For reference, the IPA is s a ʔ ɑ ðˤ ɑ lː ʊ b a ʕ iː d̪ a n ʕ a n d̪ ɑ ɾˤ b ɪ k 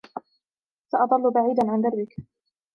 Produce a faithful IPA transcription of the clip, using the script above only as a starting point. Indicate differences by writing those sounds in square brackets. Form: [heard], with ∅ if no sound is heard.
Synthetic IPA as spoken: s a ʔ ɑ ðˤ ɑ lː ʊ b a ʕ iː d̪ a n ʕ a n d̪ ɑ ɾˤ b ɪ k